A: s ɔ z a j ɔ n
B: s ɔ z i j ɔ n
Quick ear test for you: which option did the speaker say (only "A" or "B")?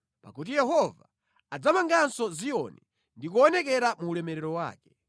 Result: B